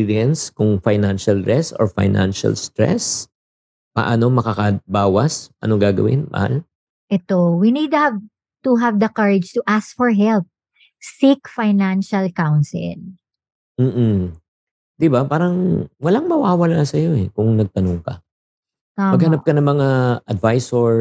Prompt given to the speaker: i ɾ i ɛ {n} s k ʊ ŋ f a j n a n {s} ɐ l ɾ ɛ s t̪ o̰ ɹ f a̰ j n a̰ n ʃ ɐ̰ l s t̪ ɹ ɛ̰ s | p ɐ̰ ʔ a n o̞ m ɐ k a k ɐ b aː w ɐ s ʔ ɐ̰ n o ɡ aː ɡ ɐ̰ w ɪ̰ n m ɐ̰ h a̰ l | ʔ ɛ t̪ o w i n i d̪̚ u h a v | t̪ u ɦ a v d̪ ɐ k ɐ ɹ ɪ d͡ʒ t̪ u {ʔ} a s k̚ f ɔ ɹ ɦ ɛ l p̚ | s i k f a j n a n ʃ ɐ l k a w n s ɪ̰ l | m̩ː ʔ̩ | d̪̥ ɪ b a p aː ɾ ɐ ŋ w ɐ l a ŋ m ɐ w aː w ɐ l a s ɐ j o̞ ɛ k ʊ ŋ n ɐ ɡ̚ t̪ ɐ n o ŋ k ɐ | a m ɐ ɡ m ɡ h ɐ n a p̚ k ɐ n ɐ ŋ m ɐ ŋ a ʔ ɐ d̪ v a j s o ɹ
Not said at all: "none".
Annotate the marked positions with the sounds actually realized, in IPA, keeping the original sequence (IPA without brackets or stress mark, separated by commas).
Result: n, ʃ, ʔ